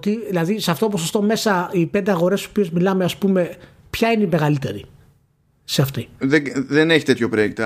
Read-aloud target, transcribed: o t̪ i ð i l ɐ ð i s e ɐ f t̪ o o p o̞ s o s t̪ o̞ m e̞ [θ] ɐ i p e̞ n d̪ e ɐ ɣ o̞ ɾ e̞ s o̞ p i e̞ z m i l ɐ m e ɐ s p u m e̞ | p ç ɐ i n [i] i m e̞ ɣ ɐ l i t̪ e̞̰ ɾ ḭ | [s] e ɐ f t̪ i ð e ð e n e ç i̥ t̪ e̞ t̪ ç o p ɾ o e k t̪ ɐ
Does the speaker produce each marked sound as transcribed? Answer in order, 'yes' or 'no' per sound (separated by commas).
no, no, yes